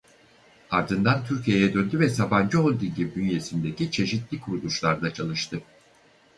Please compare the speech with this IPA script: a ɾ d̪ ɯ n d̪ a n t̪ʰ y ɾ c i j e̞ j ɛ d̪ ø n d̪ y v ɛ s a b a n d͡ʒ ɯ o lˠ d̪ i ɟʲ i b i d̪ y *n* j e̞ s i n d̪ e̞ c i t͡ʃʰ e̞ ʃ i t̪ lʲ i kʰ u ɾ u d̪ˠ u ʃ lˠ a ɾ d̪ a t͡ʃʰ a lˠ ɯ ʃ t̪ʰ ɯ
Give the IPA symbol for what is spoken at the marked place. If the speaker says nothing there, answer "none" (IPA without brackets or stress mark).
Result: n